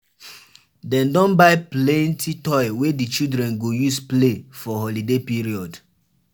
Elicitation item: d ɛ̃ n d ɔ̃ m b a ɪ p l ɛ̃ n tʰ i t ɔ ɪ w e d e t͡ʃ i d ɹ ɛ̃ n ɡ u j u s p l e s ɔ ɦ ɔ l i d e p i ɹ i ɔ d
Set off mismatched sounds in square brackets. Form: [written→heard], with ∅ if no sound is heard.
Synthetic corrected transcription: d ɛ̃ n d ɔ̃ [m→n] b a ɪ p l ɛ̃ n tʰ i t ɔ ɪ w e d [e→i] t͡ʃ i d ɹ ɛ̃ n ɡ [u→o] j u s p l e [s→f] ɔ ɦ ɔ l i d e p i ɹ i ɔ d